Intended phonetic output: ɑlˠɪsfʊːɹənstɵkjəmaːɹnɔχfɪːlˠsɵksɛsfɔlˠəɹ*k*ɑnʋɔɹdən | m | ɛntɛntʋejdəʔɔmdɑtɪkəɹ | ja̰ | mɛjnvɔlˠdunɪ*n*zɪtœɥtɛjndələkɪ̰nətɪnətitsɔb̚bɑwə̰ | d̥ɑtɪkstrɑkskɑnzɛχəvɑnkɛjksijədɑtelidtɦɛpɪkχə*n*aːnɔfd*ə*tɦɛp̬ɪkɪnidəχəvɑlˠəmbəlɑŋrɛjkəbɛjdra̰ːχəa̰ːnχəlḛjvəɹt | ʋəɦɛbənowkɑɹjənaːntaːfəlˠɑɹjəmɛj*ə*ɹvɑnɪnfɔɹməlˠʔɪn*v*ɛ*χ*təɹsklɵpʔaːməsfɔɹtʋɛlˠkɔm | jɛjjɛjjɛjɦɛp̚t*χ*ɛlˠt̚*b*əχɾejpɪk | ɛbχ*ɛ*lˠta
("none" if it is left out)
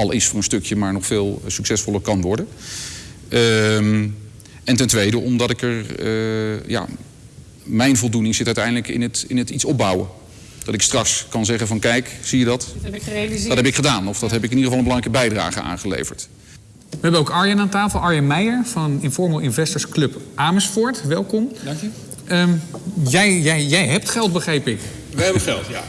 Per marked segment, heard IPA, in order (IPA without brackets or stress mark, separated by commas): k, ŋ, d, ɑ, ə, v, s, χ, b, ɛ